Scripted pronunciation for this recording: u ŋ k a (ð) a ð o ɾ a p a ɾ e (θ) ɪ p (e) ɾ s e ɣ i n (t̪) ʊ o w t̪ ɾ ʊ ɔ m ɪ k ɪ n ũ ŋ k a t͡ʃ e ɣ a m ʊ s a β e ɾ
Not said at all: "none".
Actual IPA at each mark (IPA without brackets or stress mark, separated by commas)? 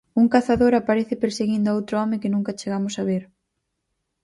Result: θ, θ, e, d̪